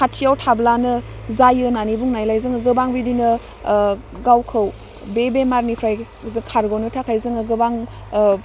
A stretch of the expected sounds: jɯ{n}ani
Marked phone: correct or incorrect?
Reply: correct